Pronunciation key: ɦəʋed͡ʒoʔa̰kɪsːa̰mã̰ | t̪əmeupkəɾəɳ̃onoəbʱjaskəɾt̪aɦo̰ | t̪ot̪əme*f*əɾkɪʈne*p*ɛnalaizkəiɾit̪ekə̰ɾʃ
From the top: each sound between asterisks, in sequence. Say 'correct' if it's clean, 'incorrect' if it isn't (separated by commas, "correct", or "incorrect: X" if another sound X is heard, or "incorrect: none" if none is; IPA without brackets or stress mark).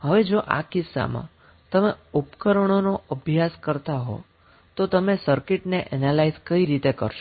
incorrect: s, incorrect: ʔ